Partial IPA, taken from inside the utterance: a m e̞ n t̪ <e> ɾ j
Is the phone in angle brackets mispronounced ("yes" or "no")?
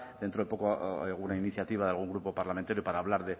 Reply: yes